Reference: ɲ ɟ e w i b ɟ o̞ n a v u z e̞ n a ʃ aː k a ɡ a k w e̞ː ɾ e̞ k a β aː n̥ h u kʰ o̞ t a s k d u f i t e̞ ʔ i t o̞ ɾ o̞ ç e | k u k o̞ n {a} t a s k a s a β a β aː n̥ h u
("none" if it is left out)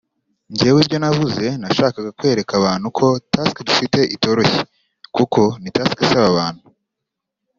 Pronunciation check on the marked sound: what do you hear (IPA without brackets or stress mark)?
i